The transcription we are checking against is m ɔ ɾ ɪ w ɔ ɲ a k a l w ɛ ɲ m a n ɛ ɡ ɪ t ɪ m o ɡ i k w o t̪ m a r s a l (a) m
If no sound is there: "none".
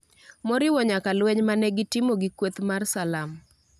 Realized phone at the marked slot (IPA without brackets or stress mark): a